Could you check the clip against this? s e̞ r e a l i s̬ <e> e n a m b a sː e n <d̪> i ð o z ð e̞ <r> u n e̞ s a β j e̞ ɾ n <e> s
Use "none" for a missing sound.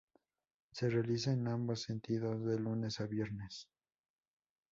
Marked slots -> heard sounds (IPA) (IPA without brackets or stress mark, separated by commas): a, t̪, l, e